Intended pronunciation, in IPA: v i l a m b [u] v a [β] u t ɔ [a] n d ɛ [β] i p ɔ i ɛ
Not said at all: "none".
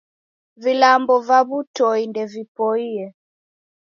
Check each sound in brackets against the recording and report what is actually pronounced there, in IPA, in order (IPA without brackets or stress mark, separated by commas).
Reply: ɔ, β, i, v